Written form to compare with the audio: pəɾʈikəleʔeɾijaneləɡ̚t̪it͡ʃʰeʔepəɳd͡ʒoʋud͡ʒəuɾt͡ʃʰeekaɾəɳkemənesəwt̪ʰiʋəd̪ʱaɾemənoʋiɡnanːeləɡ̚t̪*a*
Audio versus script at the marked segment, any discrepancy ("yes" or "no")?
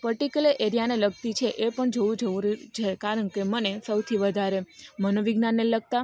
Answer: no